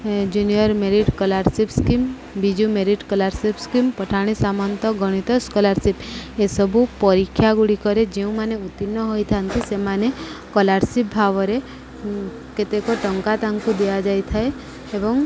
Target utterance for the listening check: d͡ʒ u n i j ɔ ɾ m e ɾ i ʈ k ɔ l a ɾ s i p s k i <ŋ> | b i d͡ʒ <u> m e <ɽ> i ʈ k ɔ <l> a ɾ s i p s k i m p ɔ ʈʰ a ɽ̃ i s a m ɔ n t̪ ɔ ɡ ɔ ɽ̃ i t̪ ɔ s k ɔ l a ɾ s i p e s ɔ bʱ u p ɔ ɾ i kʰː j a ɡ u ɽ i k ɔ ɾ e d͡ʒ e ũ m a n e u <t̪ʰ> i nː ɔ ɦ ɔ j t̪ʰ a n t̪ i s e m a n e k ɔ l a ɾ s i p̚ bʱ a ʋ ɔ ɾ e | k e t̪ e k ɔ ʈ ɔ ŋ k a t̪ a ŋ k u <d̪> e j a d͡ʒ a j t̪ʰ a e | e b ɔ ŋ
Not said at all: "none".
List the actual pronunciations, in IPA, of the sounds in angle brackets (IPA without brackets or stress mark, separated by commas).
m, u, ɾ, l, t̪, d̪